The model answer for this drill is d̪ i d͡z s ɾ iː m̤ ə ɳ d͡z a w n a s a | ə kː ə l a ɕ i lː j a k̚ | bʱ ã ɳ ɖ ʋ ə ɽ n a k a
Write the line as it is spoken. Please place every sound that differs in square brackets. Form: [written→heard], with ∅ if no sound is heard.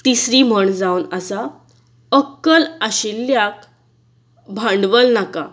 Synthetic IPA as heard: [d̪→t̪] i [d͡z→∅] s ɾ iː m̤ ə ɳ d͡z a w n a s a | ə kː ə l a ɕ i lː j a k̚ | bʱ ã ɳ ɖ ʋ ə [ɽ→l] n a k a

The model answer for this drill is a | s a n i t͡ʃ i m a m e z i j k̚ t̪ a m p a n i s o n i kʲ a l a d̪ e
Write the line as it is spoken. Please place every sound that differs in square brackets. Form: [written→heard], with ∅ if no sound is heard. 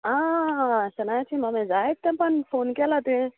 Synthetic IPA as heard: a | s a n [i→a] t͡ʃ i m a m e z [i→a] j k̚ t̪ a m p a n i [s→f] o n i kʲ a l a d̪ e

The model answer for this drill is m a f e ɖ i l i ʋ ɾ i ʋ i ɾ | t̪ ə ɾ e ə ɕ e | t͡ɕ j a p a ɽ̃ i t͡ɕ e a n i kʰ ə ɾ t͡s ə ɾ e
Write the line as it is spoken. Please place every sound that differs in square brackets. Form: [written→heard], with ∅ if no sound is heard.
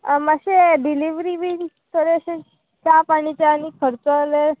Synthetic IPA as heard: m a [f→ɕ] e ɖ i l i ʋ ɾ i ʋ i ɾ | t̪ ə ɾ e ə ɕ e | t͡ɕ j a p a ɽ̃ i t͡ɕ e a n i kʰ ə ɾ t͡s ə [ɾ→l] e

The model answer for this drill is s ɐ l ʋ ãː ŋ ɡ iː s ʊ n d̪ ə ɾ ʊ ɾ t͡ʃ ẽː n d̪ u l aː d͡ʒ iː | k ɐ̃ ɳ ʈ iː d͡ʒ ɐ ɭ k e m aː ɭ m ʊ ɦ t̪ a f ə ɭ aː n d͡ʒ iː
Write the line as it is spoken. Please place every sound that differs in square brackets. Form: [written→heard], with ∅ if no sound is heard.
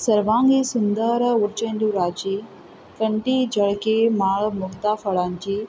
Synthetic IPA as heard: s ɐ [l→ɾ] ʋ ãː ŋ ɡ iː s ʊ n d̪ ə ɾ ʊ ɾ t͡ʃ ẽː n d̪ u [l→ɾ] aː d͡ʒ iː | k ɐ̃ ɳ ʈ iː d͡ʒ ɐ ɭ k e m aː ɭ m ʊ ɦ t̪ a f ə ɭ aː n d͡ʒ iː

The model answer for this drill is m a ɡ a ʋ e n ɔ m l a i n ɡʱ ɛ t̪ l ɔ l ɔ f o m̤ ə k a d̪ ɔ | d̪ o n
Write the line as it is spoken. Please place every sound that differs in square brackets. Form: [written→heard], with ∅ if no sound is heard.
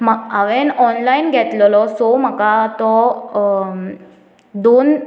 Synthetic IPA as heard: m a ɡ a ʋ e n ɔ [m→n] l a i n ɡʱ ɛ t̪ l ɔ l ɔ [f→s] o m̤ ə k a [d̪→t̪] ɔ | d̪ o n

